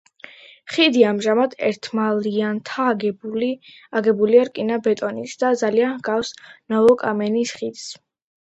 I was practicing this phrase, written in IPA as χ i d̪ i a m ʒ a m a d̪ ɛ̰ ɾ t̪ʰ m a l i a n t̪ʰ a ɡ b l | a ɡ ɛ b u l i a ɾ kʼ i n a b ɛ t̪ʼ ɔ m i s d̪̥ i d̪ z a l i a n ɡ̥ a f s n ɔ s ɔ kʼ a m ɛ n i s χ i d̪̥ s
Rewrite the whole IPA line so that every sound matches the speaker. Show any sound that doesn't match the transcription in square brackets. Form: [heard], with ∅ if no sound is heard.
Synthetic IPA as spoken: χ i d̪ i a m ʒ a m a d̪ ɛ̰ ɾ t̪ʰ m a l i a n t̪ʰ a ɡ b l | a ɡ ɛ b u l i a ɾ kʼ i n a b ɛ t̪ʼ ɔ [n] i s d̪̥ [a] d̪ z a l i a n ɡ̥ a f s n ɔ [∅] ɔ kʼ a m ɛ n i s χ i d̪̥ s

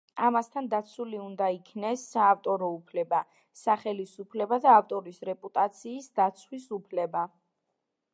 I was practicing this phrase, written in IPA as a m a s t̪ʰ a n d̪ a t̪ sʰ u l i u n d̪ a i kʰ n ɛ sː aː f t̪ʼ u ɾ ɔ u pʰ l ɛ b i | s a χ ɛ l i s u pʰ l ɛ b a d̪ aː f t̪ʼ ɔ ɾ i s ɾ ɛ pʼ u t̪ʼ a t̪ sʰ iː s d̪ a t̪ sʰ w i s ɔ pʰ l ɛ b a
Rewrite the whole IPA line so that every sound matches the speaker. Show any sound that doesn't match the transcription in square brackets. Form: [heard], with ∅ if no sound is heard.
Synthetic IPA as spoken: a m a s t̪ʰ a n d̪ a t̪ sʰ u l i u n d̪ a i kʰ n ɛ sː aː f t̪ʼ [ɔ] ɾ ɔ u pʰ l ɛ b [a] | s a χ ɛ l i s u pʰ l ɛ b a d̪ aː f t̪ʼ ɔ ɾ i s ɾ ɛ pʼ u t̪ʼ a t̪ sʰ iː s d̪ a t̪ sʰ w i s [u] pʰ l ɛ b a

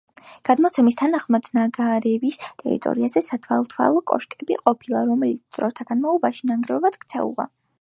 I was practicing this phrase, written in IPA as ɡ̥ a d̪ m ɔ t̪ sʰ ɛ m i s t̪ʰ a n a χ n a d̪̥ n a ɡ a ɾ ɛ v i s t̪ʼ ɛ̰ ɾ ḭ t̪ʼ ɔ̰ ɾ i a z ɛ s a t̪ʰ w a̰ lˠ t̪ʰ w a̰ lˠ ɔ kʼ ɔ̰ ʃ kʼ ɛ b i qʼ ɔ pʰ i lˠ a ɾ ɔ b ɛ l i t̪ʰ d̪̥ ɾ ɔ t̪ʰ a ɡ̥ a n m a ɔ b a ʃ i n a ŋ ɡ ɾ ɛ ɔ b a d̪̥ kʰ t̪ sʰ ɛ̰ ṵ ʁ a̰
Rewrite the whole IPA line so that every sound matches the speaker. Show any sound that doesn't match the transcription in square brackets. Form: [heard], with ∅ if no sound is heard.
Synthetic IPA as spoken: ɡ̥ a d̪ m ɔ t̪ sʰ ɛ m i s t̪ʰ a n a χ [m] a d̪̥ n a ɡ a ɾ ɛ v i s t̪ʼ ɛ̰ ɾ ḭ t̪ʼ ɔ̰ ɾ i a z ɛ s a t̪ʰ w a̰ lˠ t̪ʰ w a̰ lˠ ɔ kʼ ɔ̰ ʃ kʼ ɛ b i qʼ ɔ pʰ i lˠ a ɾ ɔ [m] ɛ l i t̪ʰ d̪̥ ɾ ɔ t̪ʰ a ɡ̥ a n m a ɔ b a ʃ i n a ŋ ɡ ɾ ɛ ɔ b a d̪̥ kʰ t̪ sʰ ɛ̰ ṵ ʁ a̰

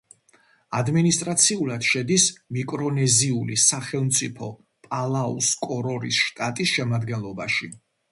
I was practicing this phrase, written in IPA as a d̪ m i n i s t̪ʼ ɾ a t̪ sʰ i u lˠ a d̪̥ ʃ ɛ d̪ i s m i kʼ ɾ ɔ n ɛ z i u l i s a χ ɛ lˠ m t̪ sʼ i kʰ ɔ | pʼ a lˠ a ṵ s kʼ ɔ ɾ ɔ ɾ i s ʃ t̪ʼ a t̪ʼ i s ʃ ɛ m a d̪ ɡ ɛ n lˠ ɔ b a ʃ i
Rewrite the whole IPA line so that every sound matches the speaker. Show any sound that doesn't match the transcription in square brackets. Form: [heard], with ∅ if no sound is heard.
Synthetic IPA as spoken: a d̪ m i n i s t̪ʼ ɾ a t̪ sʰ i u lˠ a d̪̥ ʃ ɛ d̪ i s m i kʼ ɾ ɔ n ɛ z i u l i s a χ ɛ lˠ m t̪ sʼ i [pʰ] ɔ | pʼ a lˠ a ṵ s kʼ ɔ ɾ ɔ ɾ i s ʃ t̪ʼ a t̪ʼ i s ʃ ɛ m a d̪ ɡ ɛ n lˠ ɔ b a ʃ i

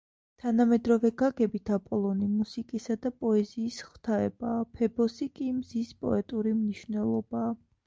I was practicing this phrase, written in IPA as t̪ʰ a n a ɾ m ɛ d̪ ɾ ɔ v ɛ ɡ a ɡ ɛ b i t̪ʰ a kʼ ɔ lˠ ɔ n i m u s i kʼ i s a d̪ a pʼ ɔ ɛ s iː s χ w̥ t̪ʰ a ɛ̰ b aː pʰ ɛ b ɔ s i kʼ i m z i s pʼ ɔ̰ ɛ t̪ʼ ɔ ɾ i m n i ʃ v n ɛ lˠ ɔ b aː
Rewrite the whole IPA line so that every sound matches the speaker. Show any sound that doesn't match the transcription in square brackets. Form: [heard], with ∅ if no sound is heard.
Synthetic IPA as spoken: t̪ʰ a n a [∅] m ɛ d̪ ɾ ɔ v ɛ ɡ a ɡ ɛ b i t̪ʰ a [pʼ] ɔ lˠ ɔ n i m u s i kʼ i s a d̪ a pʼ ɔ ɛ [z] iː s χ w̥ t̪ʰ a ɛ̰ b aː pʰ ɛ b ɔ s i kʼ i m z i s pʼ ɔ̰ ɛ t̪ʼ [u] ɾ i m n i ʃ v n ɛ lˠ ɔ b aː

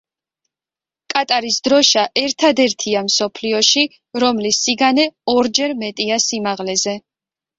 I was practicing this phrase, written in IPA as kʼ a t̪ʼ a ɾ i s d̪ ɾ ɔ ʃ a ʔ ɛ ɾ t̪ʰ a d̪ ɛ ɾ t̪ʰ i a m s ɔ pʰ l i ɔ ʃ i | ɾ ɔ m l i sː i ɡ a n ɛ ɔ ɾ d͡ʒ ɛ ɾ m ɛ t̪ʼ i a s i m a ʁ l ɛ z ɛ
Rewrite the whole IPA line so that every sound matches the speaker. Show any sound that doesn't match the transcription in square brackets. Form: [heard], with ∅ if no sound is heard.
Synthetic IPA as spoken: kʼ a t̪ʼ a ɾ i s d̪ ɾ ɔ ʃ a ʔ ɛ ɾ t̪ʰ a d̪ ɛ ɾ t̪ʰ i a m s ɔ pʰ l i ɔ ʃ i | ɾ ɔ m l i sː i ɡ a n ɛ ɔ ɾ d͡ʒ ɛ ɾ m ɛ t̪ʼ i a s i m a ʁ l ɛ z ɛ

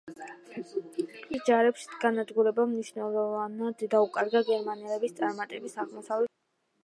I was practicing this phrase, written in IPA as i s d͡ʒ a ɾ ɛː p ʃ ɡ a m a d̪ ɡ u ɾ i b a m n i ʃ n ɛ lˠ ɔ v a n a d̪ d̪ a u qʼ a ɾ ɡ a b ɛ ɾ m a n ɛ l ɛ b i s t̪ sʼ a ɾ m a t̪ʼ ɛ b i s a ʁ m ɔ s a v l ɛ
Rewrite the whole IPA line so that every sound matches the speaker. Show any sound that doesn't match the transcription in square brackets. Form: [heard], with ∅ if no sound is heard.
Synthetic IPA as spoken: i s d͡ʒ a ɾ [ɛ] p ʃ ɡ a [n] a d̪ ɡ u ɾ [ɛ] b a m n i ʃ n ɛ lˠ ɔ v a n a d̪ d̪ a u [kʼ] a ɾ ɡ a [ɡ] ɛ ɾ m a n ɛ l ɛ b i s t̪ sʼ a ɾ m a t̪ʼ ɛ b i s a ʁ m ɔ s a v l ɛ

